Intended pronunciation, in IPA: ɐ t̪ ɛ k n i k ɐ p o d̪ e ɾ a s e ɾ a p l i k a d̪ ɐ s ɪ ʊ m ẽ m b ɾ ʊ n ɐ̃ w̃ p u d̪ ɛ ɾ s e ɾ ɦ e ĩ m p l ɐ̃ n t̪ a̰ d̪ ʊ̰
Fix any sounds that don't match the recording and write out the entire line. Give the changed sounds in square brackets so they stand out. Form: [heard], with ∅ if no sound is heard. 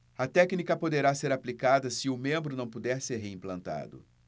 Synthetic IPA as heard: ɐ t̪ ɛ k n i k ɐ p o d̪ e ɾ a s e ɾ a p l i k a d̪ ɐ s ɪ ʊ m ẽ m b ɾ ʊ n ɐ̃ w̃ p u d̪ ɛ ɾ s e ɾ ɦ e ĩ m p l ɐ̃ n t̪ a̰ d̪ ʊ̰

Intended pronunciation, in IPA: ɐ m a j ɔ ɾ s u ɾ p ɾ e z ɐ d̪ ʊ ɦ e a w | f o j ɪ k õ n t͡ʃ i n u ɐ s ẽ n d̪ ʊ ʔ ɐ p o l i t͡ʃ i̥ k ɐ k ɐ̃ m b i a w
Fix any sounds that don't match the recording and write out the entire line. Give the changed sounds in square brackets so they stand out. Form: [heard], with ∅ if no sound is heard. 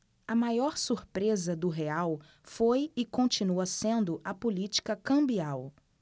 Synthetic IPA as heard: ɐ m a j ɔ ɾ s u ɾ p ɾ e z ɐ d̪ ʊ ɦ e a w | f o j ɪ k õ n t͡ʃ i n u ɐ s ẽ n d̪ ʊ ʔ ɐ p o l i t͡ʃ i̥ k ɐ k ɐ̃ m b i a w

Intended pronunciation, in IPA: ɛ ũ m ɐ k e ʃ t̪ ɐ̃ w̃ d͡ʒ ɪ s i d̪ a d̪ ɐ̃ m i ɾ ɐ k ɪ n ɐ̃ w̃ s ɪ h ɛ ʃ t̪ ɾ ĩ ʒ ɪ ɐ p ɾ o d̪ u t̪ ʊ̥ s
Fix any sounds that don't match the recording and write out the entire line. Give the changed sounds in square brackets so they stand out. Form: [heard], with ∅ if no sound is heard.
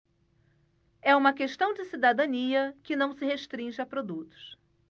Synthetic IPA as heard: ɛ ũ m ɐ k e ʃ t̪ ɐ̃ w̃ d͡ʒ ɪ s i d̪ a d̪ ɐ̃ [n] i [∅] ɐ k ɪ n ɐ̃ w̃ s ɪ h [e] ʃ t̪ ɾ ĩ ʒ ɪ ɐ p ɾ o d̪ u t̪ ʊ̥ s

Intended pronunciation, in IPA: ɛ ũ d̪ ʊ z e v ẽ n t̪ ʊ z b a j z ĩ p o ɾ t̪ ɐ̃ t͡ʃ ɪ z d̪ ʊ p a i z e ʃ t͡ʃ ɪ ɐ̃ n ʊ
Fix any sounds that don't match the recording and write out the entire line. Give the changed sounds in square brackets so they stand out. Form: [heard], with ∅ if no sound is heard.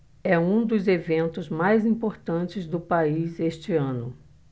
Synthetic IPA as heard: ɛ ũ d̪ ʊ z e v ẽ n t̪ ʊ z [m] a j z ĩ p o ɾ t̪ ɐ̃ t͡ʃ ɪ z d̪ ʊ p a i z e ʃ t͡ʃ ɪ ɐ̃ n ʊ

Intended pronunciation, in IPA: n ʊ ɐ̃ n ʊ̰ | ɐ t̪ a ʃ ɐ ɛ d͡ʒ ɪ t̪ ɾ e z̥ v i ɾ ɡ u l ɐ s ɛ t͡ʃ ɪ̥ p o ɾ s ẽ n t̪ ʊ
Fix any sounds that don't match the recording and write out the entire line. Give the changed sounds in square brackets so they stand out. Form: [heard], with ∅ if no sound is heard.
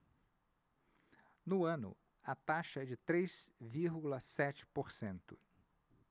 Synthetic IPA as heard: n ʊ ɐ̃ n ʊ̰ | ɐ t̪ a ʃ ɐ ɛ d͡ʒ ɪ t̪ ɾ e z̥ v i ɾ ɡ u l ɐ s ɛ t͡ʃ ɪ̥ p o ɾ s ẽ n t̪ ʊ

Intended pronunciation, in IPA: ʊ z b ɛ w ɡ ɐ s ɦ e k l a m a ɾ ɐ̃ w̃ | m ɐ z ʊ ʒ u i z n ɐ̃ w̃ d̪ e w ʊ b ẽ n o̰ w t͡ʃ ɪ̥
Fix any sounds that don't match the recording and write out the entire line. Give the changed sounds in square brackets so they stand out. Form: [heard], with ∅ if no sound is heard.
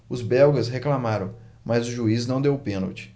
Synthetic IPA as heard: ʊ z b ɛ w ɡ ɐ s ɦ e k l a m a ɾ ɐ̃ w̃ | m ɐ z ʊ ʒ u i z n ɐ̃ w̃ d̪ e w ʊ [p] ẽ n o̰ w t͡ʃ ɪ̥

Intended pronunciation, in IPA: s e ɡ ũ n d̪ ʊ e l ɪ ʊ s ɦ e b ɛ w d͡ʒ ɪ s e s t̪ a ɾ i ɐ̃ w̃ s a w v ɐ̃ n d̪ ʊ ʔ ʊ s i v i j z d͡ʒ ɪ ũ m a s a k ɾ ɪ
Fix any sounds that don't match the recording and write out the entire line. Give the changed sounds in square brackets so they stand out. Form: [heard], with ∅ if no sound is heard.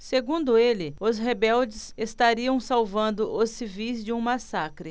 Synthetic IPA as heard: s e ɡ ũ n d̪ ʊ e l ɪ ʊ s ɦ e b ɛ w d͡ʒ ɪ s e s t̪ a ɾ i ɐ̃ w̃ s a w v ɐ̃ n d̪ ʊ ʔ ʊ s i v i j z d͡ʒ ɪ ũ m a s a k ɾ ɪ

